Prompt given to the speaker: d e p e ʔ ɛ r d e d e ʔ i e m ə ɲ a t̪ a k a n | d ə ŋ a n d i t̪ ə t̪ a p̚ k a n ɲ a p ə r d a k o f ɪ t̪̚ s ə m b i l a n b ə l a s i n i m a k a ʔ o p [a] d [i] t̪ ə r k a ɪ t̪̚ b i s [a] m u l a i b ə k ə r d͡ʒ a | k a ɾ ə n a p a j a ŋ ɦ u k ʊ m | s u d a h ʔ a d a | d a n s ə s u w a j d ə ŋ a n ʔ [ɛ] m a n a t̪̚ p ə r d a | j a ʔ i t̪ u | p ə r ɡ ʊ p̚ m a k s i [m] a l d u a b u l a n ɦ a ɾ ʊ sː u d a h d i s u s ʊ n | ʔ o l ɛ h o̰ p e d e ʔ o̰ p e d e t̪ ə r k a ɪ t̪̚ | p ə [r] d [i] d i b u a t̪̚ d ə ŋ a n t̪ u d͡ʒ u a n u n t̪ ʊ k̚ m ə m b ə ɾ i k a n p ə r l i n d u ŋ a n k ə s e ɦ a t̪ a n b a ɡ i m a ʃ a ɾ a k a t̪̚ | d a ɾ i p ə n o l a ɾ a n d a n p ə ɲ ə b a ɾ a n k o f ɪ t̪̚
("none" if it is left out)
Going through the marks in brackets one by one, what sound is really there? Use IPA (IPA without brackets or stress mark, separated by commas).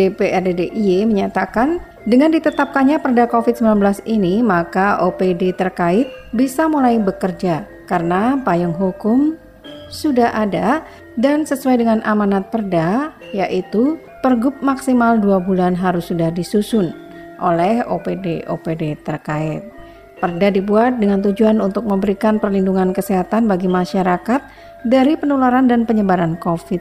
e, e, a, a, m, r, a